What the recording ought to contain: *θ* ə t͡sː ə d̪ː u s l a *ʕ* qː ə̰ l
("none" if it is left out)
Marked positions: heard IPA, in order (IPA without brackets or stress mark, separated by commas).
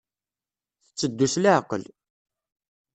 θ, ʕ